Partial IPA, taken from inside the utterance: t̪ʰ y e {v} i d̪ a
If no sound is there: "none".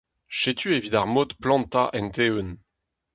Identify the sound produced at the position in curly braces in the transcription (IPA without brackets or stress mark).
v